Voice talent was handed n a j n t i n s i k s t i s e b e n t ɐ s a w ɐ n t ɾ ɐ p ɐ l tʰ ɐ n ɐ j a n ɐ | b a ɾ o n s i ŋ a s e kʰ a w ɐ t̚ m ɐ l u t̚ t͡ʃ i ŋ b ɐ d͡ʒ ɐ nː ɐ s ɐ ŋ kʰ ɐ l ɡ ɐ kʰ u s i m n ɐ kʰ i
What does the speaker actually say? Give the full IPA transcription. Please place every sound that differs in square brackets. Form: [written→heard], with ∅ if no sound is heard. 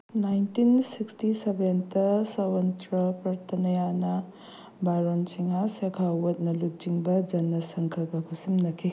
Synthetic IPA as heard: n a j n t i n s i k s t i s e b e n t ɐ s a w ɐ n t ɾ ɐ p ɐ [l→ɾ] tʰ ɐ n ɐ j a n ɐ | b a ɾ o n s i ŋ a s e kʰ a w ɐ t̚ [m→n] ɐ l u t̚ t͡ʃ i ŋ b ɐ d͡ʒ ɐ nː ɐ s ɐ ŋ kʰ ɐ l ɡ ɐ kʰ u s i m n ɐ kʰ i